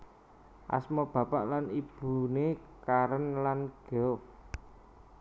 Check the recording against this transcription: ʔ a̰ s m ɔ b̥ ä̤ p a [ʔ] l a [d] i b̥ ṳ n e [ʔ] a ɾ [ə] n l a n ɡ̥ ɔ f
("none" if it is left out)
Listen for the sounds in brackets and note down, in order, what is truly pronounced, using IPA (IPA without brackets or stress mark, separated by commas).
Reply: ʔ, n, k, ə